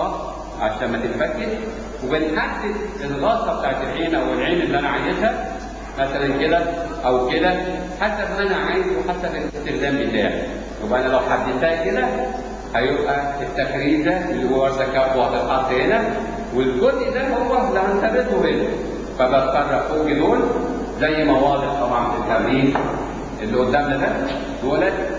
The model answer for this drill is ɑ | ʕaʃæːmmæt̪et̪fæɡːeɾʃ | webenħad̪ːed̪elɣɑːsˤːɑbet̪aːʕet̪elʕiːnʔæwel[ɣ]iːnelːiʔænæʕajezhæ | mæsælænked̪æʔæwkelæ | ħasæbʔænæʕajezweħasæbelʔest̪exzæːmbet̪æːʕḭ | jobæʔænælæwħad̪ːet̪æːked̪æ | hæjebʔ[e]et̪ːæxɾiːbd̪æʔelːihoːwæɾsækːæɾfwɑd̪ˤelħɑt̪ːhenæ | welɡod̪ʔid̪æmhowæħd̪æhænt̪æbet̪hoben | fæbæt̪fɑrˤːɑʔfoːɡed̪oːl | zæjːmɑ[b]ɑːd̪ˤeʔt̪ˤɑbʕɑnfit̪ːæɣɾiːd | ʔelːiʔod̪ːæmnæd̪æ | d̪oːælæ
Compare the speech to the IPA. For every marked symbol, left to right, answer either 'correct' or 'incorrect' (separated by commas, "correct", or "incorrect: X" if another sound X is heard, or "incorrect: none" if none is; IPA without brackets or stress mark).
incorrect: ʕ, incorrect: æ, incorrect: w